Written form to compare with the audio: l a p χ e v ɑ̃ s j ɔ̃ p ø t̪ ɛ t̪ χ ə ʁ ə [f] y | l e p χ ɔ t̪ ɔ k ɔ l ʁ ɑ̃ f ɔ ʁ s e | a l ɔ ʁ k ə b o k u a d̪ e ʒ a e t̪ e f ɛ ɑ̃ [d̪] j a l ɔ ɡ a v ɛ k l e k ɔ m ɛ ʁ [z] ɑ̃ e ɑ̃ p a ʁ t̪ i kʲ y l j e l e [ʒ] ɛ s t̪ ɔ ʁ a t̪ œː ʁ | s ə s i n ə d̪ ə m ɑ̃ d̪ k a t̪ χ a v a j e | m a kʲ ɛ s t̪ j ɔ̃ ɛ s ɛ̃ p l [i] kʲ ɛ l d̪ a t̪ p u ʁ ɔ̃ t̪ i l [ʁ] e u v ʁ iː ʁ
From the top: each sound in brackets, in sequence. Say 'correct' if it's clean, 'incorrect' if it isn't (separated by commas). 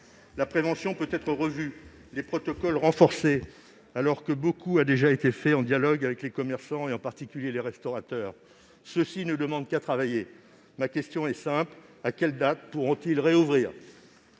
incorrect, correct, incorrect, incorrect, incorrect, correct